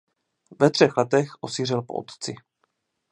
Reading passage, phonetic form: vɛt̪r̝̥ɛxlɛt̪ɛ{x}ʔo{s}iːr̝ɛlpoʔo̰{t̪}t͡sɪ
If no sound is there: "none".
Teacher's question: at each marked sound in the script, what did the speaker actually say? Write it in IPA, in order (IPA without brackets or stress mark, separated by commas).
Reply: x, s, t̪